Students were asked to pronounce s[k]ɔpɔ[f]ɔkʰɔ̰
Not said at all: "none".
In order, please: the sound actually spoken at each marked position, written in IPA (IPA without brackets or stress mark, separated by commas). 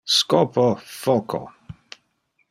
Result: k, f